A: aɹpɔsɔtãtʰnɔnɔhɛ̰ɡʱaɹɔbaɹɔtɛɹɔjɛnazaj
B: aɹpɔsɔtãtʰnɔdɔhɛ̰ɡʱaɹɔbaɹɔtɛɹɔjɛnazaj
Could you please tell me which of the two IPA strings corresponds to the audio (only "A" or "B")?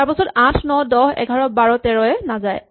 B